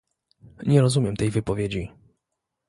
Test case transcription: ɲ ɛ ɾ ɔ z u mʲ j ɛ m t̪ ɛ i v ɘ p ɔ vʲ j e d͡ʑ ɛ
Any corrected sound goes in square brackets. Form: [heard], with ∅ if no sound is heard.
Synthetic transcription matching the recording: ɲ ɛ ɾ ɔ z u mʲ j ɛ m t̪ ɛ [j] v ɘ p ɔ vʲ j e d͡ʑ [i]